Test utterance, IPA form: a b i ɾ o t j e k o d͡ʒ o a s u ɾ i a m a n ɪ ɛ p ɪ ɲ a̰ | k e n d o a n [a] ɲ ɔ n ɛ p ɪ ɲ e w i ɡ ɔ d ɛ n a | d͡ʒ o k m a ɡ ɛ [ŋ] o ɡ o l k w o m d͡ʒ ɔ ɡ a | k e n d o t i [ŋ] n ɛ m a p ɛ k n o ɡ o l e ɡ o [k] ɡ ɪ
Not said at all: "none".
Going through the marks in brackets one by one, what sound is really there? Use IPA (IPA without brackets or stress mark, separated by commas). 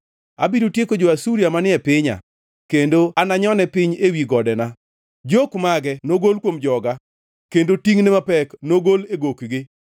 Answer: a, n, ŋ, k